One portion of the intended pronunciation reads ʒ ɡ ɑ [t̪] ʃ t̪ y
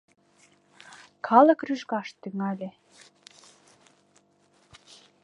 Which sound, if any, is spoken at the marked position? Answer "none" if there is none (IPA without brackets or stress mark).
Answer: none